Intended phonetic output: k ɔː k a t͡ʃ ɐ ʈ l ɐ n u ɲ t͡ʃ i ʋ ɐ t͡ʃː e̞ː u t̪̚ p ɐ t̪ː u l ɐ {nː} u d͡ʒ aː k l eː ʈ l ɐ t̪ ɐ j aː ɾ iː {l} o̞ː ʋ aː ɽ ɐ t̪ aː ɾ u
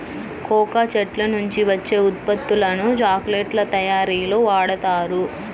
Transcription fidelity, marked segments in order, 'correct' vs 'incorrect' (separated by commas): incorrect, correct